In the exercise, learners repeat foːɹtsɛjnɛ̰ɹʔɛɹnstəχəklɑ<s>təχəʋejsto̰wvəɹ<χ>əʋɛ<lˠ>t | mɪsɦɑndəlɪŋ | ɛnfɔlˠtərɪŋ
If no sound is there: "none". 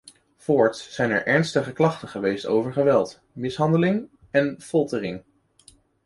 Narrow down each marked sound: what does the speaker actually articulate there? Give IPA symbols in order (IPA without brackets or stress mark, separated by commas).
χ, χ, lˠ